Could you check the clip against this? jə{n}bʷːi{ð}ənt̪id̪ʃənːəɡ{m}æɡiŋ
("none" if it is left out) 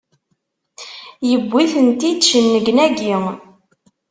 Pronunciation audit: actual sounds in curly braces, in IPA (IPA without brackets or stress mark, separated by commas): none, θ, n